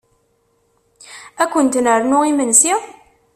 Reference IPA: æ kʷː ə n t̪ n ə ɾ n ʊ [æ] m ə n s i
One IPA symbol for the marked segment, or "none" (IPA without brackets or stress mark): i